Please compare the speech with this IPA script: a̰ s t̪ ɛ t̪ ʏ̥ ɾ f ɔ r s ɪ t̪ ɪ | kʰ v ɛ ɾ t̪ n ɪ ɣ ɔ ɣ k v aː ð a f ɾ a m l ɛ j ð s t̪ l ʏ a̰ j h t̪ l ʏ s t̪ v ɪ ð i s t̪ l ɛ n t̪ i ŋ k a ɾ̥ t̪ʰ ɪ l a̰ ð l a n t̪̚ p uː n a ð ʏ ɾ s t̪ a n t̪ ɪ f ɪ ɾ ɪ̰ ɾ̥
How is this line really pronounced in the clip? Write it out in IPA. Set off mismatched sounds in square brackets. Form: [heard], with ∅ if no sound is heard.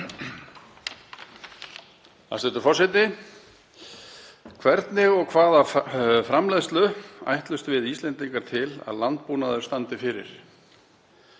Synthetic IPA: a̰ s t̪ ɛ t̪ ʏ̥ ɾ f ɔ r s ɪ t̪ ɪ | kʰ v ɛ ɾ t̪ n ɪ ɣ ɔ ɣ [kʰ] v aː ð a f ɾ a m l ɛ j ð s t̪ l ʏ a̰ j h t̪ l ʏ s t̪ v ɪ ð i s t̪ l ɛ n t̪ i ŋ k a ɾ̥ t̪ʰ ɪ l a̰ ð l a n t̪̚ p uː n a ð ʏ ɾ s t̪ a n t̪ ɪ f ɪ ɾ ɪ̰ ɾ̥